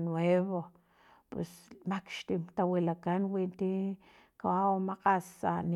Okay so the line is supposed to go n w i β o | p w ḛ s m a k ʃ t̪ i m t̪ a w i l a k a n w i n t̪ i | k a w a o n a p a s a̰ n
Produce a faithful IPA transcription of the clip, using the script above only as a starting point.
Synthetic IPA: n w e β o | p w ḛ s m a k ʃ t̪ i m t̪ a w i l a k a n w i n t̪ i | k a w a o m a q a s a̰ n